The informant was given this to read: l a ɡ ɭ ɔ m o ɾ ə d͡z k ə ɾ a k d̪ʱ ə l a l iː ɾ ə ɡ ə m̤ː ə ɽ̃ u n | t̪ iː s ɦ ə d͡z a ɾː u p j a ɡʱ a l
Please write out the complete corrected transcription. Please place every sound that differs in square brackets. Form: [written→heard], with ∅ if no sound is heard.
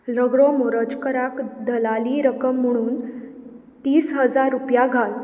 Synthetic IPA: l [a→ə] ɡ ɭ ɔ m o ɾ ə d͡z k ə ɾ a k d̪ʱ ə l a l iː ɾ ə [ɡ→k] ə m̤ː ə ɽ̃ [u→uː] n | t̪ iː s ɦ ə d͡z a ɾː u p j a ɡʱ a l